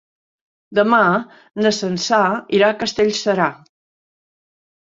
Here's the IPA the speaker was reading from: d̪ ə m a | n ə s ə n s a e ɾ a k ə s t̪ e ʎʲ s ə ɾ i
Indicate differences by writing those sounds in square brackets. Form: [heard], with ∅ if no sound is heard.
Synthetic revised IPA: d̪ ə m a | n ə s ə n s a [i] ɾ a k ə s t̪ e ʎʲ s ə ɾ [a]